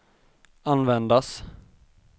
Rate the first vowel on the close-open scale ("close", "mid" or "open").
open